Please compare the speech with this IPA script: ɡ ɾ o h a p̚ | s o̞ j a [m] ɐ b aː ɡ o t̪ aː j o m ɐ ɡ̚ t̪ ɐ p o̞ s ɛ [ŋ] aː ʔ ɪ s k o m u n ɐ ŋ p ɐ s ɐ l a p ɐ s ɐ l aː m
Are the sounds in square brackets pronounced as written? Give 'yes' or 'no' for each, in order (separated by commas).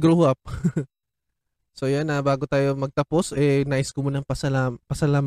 no, no